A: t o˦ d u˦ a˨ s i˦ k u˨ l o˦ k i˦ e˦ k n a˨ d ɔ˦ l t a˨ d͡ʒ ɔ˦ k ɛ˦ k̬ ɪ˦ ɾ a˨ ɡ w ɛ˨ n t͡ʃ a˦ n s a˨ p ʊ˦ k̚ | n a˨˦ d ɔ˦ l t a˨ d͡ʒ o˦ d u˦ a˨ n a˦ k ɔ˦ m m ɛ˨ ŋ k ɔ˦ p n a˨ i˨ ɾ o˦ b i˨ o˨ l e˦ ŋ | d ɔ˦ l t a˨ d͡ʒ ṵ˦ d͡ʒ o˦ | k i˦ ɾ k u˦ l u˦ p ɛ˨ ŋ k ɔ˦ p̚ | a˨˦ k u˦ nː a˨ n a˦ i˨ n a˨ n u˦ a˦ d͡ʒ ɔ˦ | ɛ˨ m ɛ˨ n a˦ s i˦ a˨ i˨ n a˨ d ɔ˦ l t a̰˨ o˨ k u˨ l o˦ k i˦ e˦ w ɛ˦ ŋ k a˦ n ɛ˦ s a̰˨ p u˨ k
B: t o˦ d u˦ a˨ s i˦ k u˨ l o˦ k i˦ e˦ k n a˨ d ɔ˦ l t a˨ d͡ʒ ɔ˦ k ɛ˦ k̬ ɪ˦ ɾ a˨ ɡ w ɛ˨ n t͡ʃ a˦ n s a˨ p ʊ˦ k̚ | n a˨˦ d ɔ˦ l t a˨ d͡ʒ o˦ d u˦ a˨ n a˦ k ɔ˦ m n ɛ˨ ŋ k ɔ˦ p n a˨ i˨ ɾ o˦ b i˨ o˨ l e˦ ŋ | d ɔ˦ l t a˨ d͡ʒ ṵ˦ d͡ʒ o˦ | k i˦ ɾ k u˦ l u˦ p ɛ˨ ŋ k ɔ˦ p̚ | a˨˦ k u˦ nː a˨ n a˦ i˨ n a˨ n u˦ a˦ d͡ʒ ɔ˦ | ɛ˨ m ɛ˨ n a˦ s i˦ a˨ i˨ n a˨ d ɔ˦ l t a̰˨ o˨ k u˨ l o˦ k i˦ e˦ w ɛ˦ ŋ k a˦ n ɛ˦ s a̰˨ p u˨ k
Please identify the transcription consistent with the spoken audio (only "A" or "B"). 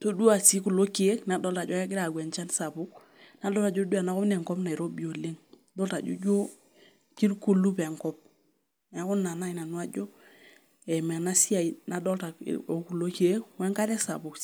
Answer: B